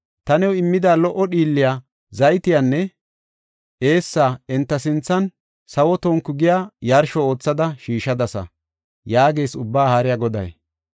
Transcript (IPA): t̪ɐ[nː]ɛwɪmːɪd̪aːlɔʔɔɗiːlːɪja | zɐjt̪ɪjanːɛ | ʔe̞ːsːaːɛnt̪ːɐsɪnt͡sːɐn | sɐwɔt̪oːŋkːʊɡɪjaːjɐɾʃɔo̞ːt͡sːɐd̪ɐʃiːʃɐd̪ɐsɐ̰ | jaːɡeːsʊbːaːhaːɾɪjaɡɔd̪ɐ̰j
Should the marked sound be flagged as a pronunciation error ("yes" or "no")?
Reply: yes